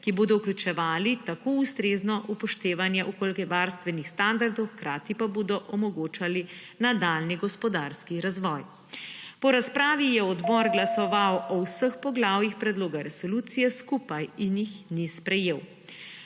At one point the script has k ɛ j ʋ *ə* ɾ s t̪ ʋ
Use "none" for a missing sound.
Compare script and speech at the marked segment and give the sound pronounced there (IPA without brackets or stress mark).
a